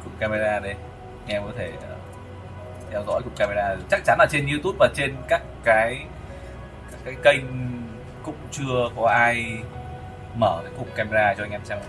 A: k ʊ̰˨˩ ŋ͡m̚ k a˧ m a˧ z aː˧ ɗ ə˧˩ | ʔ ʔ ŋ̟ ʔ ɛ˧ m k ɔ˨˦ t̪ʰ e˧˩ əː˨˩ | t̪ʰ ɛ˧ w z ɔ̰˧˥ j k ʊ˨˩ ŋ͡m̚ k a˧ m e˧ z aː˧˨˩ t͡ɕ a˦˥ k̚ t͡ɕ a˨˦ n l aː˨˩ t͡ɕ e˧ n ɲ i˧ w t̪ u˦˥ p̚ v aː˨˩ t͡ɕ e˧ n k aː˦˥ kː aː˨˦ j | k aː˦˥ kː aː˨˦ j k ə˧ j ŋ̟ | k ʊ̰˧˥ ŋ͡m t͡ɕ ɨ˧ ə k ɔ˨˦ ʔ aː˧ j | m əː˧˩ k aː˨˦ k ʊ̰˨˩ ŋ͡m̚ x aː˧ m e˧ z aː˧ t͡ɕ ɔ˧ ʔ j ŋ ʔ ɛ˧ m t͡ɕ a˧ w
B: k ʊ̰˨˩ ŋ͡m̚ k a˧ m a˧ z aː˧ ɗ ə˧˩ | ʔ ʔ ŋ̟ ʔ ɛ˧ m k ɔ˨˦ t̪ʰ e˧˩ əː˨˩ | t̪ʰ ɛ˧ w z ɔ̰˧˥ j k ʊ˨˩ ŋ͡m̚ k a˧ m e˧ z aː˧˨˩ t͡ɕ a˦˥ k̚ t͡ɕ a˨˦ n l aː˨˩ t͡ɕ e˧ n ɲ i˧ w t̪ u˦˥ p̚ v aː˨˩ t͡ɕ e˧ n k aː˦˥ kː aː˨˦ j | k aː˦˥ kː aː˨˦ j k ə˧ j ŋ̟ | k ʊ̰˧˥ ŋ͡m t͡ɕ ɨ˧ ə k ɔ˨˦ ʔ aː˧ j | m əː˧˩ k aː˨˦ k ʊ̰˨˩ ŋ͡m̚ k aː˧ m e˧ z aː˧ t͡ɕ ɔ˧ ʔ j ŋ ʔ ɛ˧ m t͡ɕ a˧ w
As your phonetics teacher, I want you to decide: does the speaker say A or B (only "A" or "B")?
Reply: B